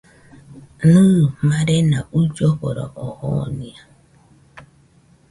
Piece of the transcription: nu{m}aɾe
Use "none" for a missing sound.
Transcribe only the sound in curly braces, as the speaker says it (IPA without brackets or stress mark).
m